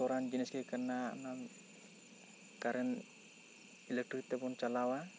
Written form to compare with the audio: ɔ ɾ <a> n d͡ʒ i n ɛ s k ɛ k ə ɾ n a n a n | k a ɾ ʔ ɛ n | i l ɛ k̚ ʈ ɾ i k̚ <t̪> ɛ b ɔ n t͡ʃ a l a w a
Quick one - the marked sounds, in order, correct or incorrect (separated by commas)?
correct, correct